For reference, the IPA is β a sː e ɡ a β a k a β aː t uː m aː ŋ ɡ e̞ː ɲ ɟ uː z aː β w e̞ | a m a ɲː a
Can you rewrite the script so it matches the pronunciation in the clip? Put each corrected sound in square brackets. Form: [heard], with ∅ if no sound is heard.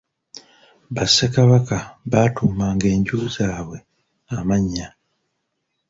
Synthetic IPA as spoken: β a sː e [k] a β a k a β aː t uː m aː ŋ ɡ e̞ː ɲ ɟ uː z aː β w e̞ | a m a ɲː a